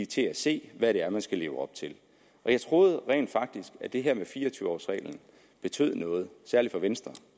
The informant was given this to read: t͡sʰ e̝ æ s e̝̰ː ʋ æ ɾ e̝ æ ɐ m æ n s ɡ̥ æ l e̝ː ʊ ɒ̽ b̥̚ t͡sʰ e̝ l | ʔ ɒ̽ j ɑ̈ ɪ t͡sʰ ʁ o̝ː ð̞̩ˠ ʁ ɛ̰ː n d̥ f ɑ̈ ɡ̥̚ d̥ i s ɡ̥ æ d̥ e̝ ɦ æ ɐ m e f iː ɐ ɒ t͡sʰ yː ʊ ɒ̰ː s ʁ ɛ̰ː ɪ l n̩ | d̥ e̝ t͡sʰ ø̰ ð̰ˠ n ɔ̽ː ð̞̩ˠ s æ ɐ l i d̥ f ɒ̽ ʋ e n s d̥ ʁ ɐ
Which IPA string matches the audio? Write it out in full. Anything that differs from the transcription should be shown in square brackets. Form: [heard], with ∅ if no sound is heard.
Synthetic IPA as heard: t͡sʰ e̝ æ s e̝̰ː ʋ æ ɾ e̝ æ ɐ m æ n s ɡ̥ æ l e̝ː ʊ ɒ̽ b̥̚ t͡sʰ e̝ l | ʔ ɒ̽ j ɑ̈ ɪ t͡sʰ ʁ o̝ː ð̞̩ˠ ʁ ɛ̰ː n d̥ f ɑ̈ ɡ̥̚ d̥ i s ɡ̥ æ d̥ e̝ ɦ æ ɐ m e f iː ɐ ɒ t͡sʰ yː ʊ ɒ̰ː s ʁ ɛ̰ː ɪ l n̩ | [b̥] e̝ t͡sʰ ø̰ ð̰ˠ n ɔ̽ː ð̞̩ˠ s æ ɐ l i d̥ f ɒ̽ ʋ e n s d̥ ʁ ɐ